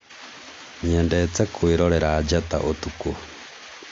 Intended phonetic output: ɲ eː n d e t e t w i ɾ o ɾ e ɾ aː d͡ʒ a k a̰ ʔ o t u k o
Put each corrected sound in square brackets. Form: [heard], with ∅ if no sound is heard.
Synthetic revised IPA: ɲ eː n d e [t͡s] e [k] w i ɾ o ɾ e ɾ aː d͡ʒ a [t] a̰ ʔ o t u k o